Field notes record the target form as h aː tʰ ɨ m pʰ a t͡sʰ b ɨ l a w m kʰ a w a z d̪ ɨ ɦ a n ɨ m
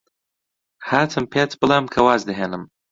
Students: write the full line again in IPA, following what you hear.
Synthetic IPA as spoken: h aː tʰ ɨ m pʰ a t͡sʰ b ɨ l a m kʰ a w a z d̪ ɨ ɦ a n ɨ m